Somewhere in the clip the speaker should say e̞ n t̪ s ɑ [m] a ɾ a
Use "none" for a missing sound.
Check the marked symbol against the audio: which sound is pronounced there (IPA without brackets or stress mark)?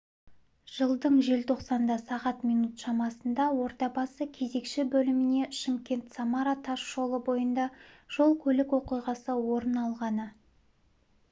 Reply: m